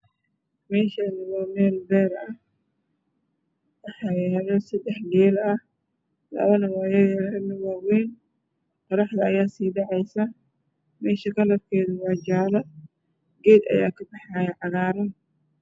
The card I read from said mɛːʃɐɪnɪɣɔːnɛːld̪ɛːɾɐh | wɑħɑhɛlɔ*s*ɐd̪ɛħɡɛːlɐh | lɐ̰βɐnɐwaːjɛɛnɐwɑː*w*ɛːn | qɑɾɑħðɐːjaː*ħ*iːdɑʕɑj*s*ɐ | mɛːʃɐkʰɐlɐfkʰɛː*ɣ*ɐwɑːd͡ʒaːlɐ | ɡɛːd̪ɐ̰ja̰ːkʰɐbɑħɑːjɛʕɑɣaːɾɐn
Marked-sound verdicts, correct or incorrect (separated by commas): correct, correct, incorrect, correct, incorrect